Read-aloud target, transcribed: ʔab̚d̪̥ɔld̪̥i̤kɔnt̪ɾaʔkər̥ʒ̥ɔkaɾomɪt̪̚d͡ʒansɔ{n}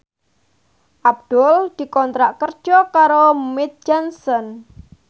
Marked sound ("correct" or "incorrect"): correct